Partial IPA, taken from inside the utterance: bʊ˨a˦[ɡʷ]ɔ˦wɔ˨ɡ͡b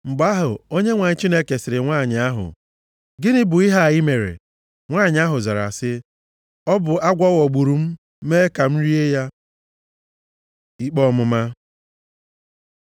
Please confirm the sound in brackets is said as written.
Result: yes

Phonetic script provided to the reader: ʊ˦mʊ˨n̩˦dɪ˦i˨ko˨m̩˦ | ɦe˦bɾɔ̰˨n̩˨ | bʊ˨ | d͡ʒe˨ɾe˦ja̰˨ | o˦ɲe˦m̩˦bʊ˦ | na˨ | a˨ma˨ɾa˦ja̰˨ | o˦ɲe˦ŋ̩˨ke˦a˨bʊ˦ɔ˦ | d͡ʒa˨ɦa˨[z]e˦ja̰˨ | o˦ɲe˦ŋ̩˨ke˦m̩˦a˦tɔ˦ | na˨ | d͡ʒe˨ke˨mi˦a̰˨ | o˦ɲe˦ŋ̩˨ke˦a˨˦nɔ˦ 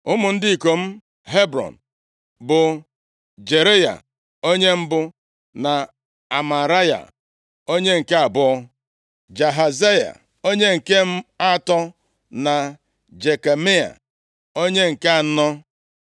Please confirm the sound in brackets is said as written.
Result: yes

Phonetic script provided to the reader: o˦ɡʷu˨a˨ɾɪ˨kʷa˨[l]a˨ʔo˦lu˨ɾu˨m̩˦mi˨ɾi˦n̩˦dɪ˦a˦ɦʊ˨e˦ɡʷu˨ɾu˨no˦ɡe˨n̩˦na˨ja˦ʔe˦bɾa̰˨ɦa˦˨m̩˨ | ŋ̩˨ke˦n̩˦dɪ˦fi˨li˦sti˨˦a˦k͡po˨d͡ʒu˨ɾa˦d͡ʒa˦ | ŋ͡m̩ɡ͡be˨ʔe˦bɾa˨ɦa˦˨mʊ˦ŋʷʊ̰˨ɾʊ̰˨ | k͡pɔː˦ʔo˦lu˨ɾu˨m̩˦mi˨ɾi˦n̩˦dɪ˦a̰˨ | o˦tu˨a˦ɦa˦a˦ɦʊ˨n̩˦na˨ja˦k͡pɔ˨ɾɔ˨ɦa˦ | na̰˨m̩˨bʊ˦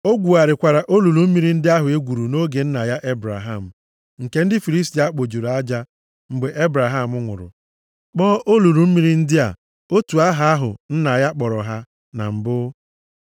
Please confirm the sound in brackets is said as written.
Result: no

